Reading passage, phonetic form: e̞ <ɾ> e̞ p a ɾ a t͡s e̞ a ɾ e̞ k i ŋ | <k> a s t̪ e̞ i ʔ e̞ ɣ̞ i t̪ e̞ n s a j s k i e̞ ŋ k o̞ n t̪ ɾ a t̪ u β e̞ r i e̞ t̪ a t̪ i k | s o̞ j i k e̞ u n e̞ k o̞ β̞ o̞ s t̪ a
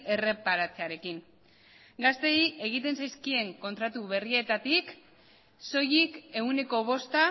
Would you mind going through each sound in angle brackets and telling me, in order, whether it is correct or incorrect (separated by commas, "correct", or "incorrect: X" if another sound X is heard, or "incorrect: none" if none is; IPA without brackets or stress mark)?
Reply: incorrect: r, incorrect: ɡ